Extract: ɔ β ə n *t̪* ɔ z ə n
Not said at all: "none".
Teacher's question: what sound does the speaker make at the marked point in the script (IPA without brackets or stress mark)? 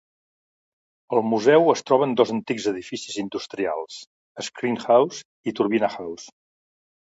d̪